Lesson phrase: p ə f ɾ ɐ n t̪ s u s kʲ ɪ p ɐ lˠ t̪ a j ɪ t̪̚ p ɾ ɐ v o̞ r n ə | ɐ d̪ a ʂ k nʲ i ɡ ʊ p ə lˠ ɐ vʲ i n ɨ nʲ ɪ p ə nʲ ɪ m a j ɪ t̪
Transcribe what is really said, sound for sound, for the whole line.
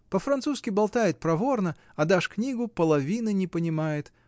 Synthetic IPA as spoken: p ə f ɾ ɐ n t̪ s u s kʲ ɪ b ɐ lˠ t̪ a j ɪ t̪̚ p ɾ ɐ v o̞ r n ə | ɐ d̪ a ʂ k nʲ i ɡ ʊ p ə lˠ ɐ vʲ i n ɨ nʲ ɪ p ə nʲ ɪ m a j ɪ t̪